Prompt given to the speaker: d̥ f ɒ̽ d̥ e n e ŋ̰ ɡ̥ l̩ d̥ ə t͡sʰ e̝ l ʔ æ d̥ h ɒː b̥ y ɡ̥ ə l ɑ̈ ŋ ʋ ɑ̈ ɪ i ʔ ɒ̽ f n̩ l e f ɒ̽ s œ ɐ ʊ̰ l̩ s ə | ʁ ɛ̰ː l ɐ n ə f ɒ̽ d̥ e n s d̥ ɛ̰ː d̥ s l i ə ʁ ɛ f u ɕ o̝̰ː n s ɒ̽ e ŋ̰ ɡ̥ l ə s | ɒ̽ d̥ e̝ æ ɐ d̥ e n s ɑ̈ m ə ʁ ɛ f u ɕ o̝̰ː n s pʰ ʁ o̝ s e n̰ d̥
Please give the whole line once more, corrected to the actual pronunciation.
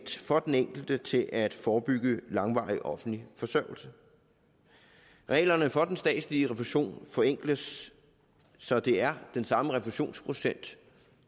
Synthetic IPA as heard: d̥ f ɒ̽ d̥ e n e ŋ̰ ɡ̥ l̩ d̥ ə t͡sʰ e̝ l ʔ æ d̥ f ɒː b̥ y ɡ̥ ə l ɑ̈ ŋ ʋ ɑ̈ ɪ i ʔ ɒ̽ f n̩ l i f ɒ̽ s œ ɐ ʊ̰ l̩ s ə | ʁ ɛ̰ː l ɐ n ə f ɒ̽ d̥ e n s d̥ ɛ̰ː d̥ s l i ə ʁ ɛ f u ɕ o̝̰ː n f ɒ̽ e ŋ̰ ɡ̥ l ə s | ɒ̽ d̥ e̝ æ ɐ d̥ e n s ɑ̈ m ə ʁ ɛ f u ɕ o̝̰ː n s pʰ ʁ o̝ s e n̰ d̥